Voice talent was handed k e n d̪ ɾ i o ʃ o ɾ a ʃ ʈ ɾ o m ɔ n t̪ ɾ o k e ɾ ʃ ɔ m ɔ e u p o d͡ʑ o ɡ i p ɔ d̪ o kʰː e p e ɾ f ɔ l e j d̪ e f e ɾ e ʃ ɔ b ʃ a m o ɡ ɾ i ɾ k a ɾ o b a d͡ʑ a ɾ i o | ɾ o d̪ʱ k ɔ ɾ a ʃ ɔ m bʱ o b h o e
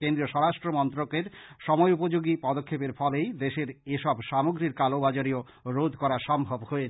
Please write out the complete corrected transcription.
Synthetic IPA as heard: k e n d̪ ɾ i o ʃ ɔ ɾ a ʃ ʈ ɾ o m ɔ n t̪ ɾ o k e ɾ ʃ ɔ m ɔ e u p o d͡ʑ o ɡ i p ɔ d̪ o kʰː e p e ɾ f ɔ l e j d̪ e ʃ e ɾ e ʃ ɔ b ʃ a m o ɡ ɾ i ɾ k a l o b a d͡ʑ a ɾ i o | ɾ o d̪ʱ k ɔ ɾ a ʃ ɔ m bʱ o b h o e